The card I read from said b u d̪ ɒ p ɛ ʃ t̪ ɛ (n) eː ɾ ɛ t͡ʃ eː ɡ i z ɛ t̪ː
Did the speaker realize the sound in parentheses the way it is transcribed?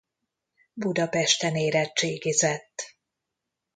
yes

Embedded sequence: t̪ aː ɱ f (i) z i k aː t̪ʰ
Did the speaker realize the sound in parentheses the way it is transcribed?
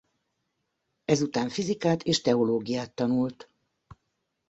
yes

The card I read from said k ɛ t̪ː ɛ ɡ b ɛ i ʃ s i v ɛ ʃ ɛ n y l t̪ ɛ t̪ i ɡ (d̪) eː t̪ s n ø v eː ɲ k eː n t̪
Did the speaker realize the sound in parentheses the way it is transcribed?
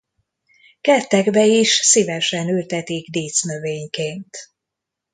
yes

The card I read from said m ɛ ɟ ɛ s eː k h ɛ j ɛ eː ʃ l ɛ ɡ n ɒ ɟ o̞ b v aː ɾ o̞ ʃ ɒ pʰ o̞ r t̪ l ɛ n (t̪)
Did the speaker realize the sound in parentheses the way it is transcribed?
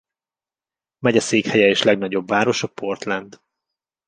no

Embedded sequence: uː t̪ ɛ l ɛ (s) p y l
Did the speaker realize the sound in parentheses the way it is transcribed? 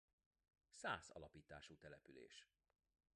no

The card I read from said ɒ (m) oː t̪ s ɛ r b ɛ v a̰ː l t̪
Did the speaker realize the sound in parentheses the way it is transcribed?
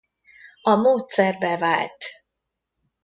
yes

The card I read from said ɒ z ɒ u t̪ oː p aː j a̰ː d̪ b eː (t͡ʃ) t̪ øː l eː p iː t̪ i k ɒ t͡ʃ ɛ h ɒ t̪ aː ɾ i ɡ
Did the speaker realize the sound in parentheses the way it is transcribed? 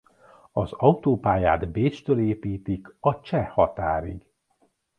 yes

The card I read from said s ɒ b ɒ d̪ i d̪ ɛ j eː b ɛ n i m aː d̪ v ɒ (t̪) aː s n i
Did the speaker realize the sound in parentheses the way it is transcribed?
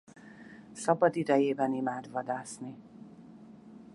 no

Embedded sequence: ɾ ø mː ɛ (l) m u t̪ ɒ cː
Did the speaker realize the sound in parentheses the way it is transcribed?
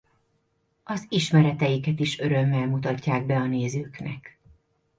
yes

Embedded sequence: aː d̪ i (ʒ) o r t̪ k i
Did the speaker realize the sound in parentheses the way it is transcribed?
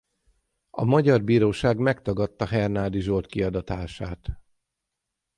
yes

